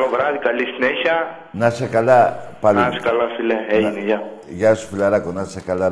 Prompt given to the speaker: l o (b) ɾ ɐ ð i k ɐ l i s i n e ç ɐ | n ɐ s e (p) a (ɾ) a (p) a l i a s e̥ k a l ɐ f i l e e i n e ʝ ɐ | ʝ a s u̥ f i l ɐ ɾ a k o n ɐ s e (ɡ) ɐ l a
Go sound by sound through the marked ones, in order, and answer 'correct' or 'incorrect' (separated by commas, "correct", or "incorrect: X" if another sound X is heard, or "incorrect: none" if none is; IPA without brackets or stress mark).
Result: incorrect: v, incorrect: k, incorrect: l, correct, incorrect: k